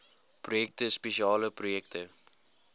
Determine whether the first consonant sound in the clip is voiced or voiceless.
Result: voiceless